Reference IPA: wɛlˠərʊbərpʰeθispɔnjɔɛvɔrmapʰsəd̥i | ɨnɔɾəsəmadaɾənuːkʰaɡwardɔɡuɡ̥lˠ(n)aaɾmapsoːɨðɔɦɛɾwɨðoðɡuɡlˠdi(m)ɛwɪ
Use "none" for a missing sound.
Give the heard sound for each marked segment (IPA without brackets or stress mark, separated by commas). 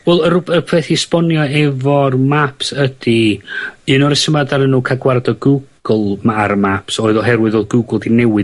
m, n